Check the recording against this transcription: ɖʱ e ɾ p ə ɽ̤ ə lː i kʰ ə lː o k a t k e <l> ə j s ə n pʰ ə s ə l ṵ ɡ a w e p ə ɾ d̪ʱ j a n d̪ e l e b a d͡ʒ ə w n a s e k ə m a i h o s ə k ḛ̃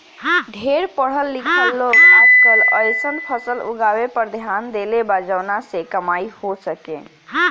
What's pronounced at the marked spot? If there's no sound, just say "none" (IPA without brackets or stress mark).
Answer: l